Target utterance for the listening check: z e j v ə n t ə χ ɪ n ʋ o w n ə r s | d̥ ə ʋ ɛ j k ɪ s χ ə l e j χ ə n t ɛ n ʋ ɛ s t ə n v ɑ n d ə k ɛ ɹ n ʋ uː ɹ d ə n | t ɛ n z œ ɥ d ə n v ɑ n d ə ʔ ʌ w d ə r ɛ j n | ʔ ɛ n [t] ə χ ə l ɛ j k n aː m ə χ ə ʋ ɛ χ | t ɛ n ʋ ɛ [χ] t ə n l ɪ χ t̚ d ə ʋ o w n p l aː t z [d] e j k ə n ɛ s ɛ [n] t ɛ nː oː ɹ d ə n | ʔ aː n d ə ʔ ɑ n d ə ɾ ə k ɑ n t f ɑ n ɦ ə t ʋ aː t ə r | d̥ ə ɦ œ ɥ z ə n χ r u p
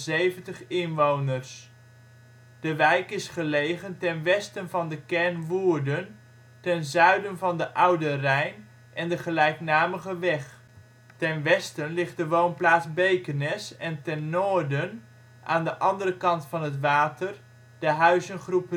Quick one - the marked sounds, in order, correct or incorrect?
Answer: incorrect: d, incorrect: s, incorrect: b, correct

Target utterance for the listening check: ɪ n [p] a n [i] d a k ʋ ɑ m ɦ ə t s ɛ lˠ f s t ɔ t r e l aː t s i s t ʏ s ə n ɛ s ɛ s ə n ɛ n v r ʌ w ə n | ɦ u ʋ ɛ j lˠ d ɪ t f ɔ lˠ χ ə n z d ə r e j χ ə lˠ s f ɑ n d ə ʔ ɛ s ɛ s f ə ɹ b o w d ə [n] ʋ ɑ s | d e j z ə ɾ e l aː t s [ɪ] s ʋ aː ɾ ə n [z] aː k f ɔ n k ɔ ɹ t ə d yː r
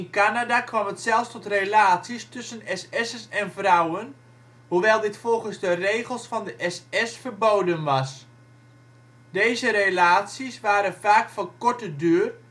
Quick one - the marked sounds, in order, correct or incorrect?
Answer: incorrect: k, incorrect: a, correct, incorrect: i, incorrect: v

